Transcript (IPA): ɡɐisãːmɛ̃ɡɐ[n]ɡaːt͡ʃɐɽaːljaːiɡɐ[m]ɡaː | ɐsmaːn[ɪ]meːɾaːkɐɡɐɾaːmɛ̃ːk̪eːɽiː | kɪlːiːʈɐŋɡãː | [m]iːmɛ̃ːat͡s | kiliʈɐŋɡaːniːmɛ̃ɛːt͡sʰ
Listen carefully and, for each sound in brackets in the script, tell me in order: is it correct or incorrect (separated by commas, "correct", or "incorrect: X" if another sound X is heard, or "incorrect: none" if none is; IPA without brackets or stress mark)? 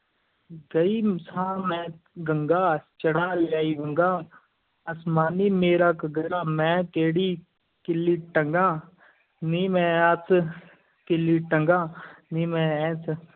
incorrect: ŋ, incorrect: ŋ, incorrect: i, incorrect: n